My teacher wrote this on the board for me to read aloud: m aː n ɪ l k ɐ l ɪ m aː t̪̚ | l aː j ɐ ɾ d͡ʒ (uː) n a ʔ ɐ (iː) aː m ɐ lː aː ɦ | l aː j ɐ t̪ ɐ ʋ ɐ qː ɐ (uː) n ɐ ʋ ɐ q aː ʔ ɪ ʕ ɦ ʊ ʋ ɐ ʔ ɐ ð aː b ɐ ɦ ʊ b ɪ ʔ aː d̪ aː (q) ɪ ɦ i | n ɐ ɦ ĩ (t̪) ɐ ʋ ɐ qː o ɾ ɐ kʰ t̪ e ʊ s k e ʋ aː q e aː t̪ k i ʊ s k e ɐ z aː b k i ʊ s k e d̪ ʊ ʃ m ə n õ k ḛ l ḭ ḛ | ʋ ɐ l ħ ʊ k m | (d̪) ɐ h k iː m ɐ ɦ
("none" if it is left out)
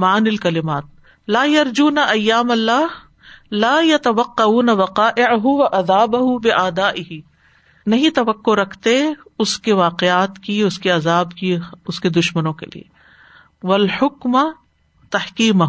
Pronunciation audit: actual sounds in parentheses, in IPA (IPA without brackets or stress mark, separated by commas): uː, jː, uː, ʔ, t̪, t̪